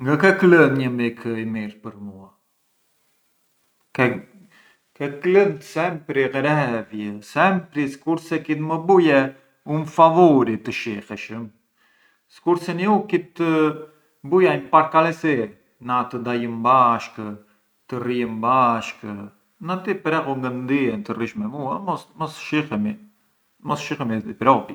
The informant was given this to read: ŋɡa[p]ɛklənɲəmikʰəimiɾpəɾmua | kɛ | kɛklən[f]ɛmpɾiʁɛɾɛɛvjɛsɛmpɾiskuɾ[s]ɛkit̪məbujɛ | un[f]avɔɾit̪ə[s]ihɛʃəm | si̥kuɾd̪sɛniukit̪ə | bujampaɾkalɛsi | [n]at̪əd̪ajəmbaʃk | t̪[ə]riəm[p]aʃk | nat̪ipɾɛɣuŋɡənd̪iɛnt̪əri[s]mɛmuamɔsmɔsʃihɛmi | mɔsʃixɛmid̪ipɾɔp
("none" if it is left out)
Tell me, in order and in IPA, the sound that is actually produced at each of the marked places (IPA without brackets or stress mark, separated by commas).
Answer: k, s, s, f, ʃ, n, ə, b, ʃ